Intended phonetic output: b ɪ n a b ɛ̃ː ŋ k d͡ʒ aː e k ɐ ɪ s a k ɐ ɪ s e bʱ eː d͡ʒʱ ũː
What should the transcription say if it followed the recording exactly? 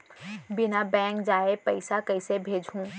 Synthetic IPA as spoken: b ɪ n a b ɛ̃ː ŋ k d͡ʒ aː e p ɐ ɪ s a k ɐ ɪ s e bʱ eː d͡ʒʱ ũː